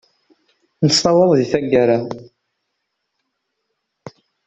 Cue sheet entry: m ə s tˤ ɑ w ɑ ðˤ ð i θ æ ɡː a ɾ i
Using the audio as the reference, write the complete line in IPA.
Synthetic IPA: n ə s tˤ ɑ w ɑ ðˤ ð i θ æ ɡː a ɾ a